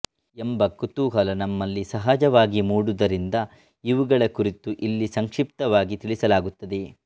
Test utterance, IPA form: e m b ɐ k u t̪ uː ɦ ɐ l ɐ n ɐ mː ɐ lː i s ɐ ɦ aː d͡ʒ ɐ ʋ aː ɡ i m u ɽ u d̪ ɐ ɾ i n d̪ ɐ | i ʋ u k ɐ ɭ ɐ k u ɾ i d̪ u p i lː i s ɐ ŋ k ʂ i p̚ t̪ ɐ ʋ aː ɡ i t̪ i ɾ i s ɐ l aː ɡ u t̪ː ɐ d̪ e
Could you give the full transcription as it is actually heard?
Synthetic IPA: e m b ɐ k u t̪ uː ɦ ɐ l ɐ n ɐ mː ɐ lː i s ɐ ɦ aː d͡ʒ ɐ ʋ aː ɡ i m uː ɽ u d̪ ɐ ɾ i n d̪ ɐ | i ʋ u ɡ ɐ ɭ ɐ k u ɾ i t̪ u ʔ i lː i s ɐ ŋ k ʂ i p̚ t̪ ɐ ʋ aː ɡ i t̪ i ɭ i s ɐ l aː ɡ u t̪ː ɐ d̪ e